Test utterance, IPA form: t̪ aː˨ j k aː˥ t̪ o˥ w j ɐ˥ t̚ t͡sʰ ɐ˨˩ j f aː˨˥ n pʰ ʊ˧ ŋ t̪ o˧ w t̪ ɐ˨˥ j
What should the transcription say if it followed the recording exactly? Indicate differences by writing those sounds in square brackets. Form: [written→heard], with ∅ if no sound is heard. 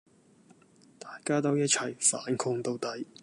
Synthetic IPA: t̪ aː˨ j k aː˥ t̪ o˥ w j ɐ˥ t̚ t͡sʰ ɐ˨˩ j f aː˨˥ n [pʰ→kʰ] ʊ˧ ŋ t̪ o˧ w t̪ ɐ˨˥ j